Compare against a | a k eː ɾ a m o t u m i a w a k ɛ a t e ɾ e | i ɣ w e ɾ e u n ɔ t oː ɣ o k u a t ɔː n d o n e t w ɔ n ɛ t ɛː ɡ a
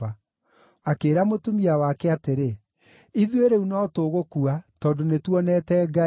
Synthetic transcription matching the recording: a | a k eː ɾ a m o t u m i a w a k ɛ a t e ɾ e | i ð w e ɾ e u n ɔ t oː ɣ o k u a t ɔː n d o n e t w ɔ n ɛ t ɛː ɡ a